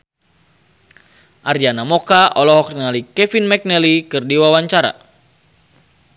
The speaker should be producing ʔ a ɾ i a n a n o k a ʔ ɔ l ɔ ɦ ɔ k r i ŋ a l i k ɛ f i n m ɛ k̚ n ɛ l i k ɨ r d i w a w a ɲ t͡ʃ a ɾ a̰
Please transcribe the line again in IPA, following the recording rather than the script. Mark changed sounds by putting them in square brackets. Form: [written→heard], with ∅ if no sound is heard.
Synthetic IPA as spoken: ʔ a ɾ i a n a [n→m] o k a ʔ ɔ l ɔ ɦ ɔ k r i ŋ a l i k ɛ f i n m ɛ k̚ n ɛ l i k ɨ r d i w a w a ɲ t͡ʃ a ɾ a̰